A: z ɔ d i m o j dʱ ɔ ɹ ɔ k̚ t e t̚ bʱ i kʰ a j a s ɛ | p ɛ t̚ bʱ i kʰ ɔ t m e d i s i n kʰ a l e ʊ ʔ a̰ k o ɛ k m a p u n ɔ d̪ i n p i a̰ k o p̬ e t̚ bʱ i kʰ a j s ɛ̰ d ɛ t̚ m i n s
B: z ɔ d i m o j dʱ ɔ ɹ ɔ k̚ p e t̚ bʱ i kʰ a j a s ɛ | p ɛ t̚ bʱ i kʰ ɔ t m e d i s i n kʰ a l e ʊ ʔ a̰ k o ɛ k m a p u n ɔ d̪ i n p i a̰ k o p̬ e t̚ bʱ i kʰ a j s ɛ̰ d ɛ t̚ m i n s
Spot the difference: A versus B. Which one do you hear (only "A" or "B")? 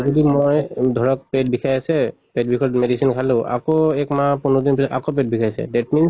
B